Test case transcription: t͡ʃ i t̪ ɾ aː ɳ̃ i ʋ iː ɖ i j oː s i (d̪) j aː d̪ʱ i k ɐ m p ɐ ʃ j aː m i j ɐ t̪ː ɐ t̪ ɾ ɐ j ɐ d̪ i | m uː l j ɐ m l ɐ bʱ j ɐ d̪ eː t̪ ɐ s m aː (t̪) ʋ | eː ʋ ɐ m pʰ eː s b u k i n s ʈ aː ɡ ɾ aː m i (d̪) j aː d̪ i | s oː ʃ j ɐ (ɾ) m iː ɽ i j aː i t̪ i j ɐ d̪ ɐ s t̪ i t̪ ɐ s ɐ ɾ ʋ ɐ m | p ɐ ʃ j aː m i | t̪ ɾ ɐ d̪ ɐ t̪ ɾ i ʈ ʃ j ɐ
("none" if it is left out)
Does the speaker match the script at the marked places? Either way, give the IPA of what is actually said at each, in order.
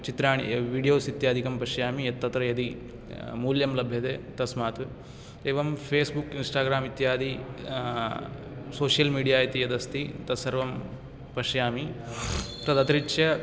t̪, t̪, t̪, l

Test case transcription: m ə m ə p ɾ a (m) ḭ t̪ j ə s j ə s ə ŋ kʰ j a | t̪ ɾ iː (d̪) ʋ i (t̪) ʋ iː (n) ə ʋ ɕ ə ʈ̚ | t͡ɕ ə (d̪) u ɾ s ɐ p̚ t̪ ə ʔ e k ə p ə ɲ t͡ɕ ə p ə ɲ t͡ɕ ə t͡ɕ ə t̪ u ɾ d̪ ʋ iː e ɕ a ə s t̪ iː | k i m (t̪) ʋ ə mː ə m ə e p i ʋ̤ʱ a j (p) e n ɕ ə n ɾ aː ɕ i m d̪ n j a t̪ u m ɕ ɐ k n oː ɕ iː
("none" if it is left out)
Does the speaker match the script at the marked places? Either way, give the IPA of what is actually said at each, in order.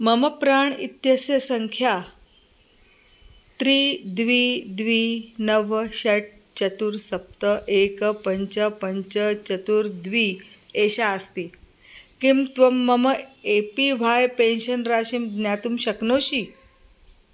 ɳ, d̪, d̪, n, t̪, t̪, p

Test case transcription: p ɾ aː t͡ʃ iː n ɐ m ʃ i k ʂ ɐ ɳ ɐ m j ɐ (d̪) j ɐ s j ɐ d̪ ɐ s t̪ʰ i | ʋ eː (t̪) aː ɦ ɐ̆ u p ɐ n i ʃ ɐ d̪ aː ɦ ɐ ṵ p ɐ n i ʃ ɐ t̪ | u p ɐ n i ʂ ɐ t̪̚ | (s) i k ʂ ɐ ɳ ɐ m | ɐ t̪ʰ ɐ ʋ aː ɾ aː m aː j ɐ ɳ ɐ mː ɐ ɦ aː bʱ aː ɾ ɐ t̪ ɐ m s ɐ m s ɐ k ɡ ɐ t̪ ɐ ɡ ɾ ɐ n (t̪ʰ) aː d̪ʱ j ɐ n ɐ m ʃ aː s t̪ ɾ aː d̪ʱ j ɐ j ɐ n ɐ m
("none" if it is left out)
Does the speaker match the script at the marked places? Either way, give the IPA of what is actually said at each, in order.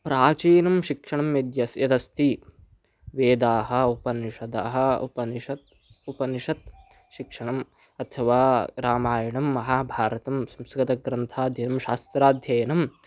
d̪, d̪, ʃ, t̪ʰ

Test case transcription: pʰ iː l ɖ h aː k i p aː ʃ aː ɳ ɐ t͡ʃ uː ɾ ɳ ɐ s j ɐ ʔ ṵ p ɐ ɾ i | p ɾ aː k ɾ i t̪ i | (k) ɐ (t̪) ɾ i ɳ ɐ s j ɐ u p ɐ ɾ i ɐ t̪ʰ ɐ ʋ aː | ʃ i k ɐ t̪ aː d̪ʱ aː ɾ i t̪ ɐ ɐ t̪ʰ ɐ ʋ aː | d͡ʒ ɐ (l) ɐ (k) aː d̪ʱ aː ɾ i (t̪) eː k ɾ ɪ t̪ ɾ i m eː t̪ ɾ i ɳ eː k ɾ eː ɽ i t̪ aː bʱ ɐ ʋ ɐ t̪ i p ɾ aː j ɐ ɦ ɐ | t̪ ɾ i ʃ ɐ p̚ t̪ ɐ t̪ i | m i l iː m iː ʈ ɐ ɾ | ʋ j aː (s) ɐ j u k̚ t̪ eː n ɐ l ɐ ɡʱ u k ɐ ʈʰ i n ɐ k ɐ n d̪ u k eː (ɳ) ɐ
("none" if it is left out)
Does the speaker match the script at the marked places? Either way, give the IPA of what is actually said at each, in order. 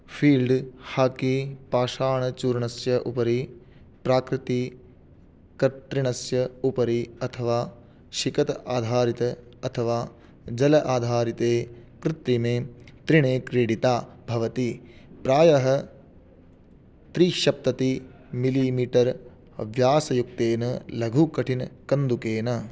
k, t̪, l, ʔ, t̪, s, n

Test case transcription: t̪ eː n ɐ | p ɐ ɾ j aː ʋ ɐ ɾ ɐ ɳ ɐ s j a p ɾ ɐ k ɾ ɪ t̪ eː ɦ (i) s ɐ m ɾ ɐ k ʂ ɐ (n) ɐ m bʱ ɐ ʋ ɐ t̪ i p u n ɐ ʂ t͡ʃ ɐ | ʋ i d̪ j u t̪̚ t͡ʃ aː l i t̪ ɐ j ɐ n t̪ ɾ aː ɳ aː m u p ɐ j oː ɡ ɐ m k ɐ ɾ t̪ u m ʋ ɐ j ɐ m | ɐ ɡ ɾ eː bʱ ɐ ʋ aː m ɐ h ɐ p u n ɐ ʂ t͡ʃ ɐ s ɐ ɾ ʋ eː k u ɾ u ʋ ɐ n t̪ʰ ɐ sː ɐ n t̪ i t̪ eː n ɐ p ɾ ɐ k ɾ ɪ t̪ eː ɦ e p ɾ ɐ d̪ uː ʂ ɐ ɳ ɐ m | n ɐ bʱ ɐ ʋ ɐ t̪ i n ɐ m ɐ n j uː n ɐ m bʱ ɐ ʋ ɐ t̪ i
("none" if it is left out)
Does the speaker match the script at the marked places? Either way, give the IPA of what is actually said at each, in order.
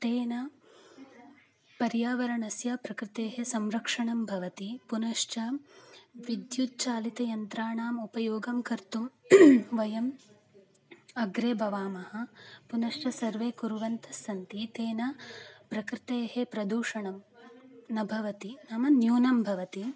e, ɳ

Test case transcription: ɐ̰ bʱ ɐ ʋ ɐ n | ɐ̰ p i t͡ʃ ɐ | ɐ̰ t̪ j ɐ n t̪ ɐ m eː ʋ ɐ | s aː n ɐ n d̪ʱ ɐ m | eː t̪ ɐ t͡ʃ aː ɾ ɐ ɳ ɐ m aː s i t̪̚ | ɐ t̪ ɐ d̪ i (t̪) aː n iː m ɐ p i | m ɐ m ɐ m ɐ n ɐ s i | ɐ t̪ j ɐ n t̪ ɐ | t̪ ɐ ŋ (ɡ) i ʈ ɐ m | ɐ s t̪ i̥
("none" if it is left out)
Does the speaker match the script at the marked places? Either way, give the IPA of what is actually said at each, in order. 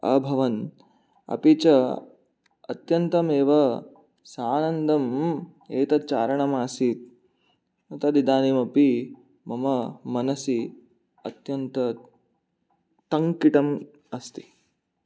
d̪, k

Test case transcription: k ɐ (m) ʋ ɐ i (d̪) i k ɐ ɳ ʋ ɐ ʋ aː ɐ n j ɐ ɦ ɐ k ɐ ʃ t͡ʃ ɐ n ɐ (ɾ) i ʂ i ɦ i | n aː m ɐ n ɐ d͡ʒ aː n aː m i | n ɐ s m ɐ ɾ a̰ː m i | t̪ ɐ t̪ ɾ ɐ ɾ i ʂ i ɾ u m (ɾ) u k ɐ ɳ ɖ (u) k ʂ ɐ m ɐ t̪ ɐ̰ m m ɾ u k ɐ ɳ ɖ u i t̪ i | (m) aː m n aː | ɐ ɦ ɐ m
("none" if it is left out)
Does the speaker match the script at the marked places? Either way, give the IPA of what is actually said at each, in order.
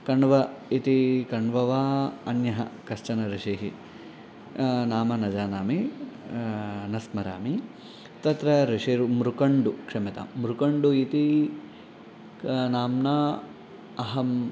ɳ, t̪, ɾ, ɾ, u, n

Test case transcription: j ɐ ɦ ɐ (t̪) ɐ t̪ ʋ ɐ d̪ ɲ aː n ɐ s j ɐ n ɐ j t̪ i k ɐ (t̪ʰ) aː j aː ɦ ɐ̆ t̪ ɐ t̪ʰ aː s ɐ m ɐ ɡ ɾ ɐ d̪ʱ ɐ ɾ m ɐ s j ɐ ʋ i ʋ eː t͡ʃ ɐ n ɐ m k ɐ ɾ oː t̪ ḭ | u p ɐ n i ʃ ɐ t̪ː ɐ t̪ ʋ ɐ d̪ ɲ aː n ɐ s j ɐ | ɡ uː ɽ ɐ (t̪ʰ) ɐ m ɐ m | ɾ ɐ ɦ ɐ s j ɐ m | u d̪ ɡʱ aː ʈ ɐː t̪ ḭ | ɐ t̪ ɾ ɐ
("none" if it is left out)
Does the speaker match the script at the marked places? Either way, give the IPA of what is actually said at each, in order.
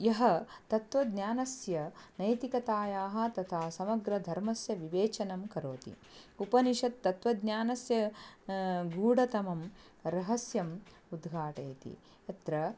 t̪, t̪, t̪

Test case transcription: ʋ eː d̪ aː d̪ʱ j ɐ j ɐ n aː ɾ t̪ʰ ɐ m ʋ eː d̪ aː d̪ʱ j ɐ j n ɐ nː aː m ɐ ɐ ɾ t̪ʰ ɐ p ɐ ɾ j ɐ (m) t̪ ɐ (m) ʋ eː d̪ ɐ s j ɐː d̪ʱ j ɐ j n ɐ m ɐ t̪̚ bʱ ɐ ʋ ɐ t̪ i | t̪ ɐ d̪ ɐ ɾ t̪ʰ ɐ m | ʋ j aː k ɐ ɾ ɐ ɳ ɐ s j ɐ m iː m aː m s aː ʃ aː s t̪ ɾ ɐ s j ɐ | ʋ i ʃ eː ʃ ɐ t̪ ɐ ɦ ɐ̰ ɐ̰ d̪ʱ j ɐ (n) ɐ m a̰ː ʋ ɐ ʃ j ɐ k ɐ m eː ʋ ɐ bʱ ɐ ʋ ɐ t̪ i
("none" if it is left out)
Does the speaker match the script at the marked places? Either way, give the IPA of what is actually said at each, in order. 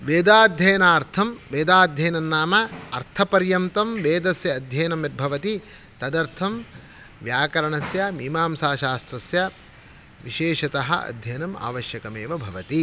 m, m, n

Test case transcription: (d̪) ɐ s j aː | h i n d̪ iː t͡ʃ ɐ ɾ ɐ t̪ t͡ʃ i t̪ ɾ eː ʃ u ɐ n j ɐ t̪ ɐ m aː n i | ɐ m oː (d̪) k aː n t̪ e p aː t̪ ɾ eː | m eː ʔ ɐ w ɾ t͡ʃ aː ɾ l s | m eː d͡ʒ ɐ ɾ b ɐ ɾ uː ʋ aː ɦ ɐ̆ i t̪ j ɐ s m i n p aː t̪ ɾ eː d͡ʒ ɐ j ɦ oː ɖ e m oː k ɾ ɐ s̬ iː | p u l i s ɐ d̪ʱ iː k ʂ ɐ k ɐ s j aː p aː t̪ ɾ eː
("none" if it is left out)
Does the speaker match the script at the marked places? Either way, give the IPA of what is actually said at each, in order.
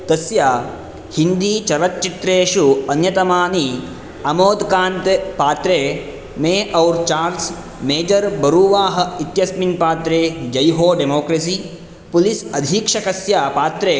t̪, d̪

